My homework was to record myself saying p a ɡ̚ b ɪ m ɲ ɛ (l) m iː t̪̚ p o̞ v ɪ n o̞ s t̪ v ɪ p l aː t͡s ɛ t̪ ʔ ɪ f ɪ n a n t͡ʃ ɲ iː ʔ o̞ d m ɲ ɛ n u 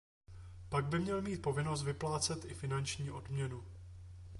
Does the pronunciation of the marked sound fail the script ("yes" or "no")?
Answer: no